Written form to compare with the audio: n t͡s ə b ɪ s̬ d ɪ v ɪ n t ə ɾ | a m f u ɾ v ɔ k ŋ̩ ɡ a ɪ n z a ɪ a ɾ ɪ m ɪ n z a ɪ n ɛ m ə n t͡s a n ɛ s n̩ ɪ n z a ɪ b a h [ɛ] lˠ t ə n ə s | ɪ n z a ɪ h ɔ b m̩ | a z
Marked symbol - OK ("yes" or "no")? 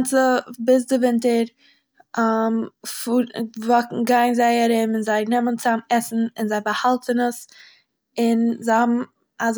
no